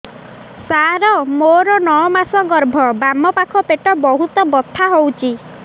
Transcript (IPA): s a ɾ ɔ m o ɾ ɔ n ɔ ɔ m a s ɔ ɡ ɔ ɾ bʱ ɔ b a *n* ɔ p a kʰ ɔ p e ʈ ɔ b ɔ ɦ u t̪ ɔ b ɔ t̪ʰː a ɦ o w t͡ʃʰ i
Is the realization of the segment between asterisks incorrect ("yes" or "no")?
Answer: yes